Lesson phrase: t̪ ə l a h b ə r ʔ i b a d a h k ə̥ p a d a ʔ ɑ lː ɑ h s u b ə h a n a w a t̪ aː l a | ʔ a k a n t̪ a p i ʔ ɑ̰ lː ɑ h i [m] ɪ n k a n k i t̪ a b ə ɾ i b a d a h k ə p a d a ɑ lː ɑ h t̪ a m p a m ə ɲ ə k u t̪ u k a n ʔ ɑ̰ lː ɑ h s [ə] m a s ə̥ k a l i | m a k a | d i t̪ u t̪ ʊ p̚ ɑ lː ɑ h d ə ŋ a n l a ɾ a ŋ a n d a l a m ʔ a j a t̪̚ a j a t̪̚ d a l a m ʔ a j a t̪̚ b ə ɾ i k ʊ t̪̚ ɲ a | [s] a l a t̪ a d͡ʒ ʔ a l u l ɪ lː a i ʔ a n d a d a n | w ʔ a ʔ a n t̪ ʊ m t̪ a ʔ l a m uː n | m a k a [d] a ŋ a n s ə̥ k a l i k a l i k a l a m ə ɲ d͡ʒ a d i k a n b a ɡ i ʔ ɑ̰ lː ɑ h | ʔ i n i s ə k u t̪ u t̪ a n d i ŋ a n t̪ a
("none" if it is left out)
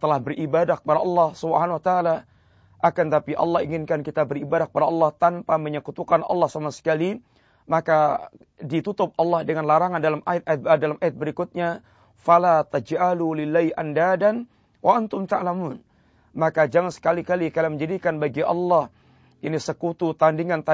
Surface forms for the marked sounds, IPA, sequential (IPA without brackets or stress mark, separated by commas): ŋ, a, f, d͡ʒ